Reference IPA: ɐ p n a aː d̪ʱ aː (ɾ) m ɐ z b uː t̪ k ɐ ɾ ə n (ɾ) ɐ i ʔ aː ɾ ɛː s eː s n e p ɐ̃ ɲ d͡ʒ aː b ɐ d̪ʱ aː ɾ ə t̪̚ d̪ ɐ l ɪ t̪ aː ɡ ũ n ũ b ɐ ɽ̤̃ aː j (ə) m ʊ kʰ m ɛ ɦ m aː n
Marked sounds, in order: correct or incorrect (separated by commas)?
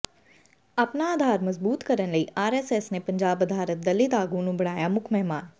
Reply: correct, incorrect, incorrect